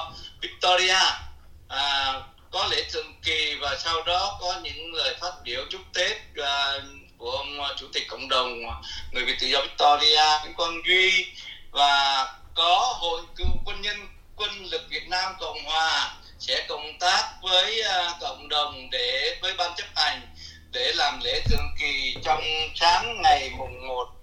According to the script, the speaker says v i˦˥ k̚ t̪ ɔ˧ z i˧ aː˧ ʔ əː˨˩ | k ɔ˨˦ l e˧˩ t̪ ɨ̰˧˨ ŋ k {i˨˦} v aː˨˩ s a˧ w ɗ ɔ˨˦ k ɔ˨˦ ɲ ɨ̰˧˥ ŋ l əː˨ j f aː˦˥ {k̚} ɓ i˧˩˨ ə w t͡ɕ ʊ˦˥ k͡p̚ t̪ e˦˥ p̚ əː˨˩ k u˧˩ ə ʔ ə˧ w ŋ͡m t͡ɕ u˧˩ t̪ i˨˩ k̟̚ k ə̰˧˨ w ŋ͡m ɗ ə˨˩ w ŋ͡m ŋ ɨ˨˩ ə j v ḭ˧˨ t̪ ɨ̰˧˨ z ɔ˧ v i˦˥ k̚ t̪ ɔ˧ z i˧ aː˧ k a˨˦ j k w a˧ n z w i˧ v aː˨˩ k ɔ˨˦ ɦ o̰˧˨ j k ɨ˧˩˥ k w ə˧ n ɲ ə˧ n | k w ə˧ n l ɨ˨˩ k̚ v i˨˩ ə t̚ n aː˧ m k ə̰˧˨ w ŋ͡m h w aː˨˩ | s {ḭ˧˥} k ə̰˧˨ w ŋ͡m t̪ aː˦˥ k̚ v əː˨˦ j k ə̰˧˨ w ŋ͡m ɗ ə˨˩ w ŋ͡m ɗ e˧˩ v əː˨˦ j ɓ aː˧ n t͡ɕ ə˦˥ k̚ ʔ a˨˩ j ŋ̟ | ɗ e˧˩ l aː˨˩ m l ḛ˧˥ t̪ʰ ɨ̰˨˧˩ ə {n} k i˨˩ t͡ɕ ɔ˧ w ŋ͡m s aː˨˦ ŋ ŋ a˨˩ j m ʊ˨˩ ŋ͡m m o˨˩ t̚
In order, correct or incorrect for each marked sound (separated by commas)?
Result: incorrect, incorrect, incorrect, incorrect